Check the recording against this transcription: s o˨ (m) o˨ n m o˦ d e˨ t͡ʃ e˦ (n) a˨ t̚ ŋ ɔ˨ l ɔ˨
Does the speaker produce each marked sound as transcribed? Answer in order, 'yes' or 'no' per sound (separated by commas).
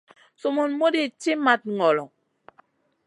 yes, no